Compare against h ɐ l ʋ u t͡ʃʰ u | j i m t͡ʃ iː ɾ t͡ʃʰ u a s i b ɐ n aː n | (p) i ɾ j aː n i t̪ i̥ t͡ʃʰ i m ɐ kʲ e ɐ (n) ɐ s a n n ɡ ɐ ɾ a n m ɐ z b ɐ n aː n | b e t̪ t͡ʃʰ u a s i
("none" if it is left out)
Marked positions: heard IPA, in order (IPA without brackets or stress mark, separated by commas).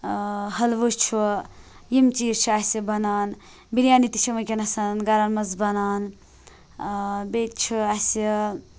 b, n